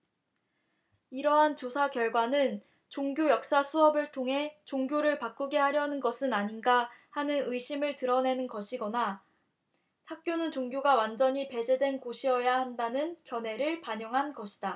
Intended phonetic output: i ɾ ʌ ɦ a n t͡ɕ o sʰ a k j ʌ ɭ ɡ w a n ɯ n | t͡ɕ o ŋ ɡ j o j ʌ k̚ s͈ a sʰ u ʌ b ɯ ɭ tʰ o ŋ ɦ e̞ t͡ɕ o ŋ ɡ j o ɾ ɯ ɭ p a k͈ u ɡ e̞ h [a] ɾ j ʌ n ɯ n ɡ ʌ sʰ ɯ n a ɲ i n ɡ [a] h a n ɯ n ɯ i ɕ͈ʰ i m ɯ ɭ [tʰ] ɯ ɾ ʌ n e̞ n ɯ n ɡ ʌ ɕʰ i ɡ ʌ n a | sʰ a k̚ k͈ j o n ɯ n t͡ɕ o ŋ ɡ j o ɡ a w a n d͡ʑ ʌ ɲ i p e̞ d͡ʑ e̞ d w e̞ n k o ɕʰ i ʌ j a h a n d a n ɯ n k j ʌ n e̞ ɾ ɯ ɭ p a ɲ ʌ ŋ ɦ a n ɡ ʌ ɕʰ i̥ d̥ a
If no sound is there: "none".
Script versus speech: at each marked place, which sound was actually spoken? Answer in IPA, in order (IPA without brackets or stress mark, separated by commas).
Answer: a, a, t